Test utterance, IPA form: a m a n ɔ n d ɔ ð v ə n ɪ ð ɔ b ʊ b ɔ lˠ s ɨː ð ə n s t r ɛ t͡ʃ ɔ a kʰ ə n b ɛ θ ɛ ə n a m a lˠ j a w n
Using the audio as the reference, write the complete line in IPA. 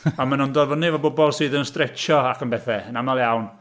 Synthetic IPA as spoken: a m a n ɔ n d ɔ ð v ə n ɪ v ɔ b ʊ b ɔ lˠ s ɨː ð ə n s t r ɛ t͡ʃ ɔ a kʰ ə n b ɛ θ ɛ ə n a m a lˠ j a w n

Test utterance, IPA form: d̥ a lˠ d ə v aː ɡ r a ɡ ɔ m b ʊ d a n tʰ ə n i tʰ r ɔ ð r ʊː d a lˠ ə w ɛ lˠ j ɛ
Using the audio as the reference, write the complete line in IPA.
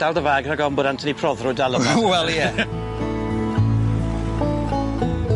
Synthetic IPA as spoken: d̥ a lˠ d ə v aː ɡ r a ɡ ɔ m b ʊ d a n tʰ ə n i pʰ r ɔ ð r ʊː d a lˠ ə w ɛ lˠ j ɛ

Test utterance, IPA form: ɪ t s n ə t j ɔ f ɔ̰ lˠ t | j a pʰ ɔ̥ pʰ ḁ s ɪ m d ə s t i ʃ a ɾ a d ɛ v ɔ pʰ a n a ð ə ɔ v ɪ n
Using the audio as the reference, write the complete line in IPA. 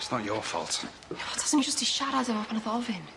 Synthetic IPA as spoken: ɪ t s n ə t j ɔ f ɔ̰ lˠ t | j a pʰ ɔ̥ tʰ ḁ s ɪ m d͡ʒ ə s t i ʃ a ɾ a d ɛ v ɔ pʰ a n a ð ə ɔ v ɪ n

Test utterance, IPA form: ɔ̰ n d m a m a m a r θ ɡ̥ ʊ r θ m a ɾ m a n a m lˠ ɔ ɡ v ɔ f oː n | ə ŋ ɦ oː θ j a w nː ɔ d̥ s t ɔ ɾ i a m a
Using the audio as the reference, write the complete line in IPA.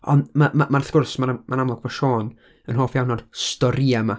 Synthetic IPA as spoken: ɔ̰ n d m a m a m a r θ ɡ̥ ʊ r s m a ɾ m a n a m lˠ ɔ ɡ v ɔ ʃ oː n | ə n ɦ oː f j a w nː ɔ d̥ s t ɔ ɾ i a m a

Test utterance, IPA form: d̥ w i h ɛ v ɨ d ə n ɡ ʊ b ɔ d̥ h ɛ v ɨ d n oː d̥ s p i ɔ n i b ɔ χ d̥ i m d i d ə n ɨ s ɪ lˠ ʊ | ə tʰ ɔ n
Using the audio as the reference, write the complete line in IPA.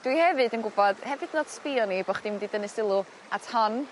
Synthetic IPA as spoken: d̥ w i h ɛ v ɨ d ə n ɡ ʊ b ɔ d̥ h ɛ v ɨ d n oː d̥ s p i ɔ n i b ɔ χ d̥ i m d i d ə n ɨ s ɪ lˠ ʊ | a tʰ ɔ n

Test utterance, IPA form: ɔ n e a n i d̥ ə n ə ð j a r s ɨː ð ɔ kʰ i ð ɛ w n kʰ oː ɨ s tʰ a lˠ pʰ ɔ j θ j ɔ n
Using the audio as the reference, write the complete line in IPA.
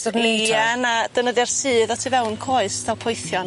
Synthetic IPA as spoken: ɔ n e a n a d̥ ə n ə ð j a r s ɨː ð ɔ tʰ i v ɛ w n kʰ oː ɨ s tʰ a lˠ pʰ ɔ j θ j ɔ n

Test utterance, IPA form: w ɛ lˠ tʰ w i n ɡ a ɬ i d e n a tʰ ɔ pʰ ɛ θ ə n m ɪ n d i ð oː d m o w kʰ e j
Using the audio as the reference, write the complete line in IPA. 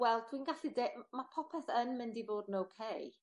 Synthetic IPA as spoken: w ɛ lˠ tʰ w i n ɡ a ɬ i d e m a pʰ ɔ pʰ ɛ θ ə n m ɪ n d i v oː d n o w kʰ e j

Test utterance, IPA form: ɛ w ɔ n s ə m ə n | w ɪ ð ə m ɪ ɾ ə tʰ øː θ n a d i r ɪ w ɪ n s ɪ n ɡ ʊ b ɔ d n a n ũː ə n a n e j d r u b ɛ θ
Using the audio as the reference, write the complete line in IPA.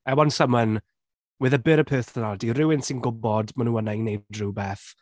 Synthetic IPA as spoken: ɛ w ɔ n s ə m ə n | w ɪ ð ə b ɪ ɾ ə pʰ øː θ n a d i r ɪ w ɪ n s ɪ n ɡ ʊ b ɔ d m a n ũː ə n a n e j d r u b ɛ θ

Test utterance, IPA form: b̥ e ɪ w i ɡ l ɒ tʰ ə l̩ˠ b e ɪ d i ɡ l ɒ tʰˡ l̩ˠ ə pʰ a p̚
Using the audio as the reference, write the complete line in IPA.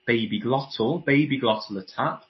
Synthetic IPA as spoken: b̥ e ɪ b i ɡ l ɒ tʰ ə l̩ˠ b e ɪ b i ɡ l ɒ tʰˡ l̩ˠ ə tʰ a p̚

